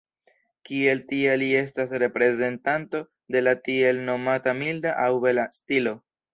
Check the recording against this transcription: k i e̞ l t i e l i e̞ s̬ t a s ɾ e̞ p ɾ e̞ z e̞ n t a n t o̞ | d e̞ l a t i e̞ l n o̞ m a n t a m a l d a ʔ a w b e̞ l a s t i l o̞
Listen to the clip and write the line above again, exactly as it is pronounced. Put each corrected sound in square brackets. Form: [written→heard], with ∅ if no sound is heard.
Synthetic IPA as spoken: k i e̞ l t i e l i e̞ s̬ t a s ɾ e̞ p ɾ e̞ z e̞ n t a n t o̞ | d e̞ l a t i e̞ l n o̞ m a [n→∅] t a m [a→i] l d a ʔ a w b e̞ l a s t i l o̞